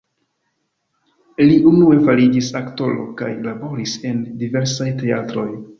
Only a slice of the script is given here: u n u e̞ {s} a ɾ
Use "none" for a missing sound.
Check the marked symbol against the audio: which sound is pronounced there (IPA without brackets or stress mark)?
f